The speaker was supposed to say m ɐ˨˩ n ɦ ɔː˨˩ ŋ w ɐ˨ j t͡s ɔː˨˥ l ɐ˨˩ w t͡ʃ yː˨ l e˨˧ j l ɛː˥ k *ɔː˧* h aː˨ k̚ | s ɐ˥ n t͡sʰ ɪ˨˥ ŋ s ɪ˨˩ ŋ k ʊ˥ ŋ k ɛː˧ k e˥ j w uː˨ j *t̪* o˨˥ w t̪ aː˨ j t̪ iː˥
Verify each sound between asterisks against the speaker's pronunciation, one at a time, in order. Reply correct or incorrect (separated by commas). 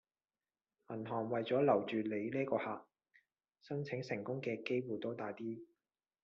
correct, correct